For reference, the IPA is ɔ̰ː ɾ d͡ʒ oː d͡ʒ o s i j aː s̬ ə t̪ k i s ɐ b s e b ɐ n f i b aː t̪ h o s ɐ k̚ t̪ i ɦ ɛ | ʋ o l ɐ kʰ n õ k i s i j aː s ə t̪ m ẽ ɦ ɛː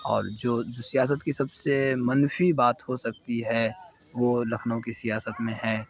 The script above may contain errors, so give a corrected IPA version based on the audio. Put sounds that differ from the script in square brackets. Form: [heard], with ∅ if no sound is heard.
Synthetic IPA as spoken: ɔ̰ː ɾ d͡ʒ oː d͡ʒ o s i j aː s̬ ə t̪ k i s ɐ b s e [m] ɐ n f i b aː t̪ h o s ɐ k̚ t̪ i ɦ ɛ | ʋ o l ɐ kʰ n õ k i s i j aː s ə t̪ m ẽ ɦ ɛː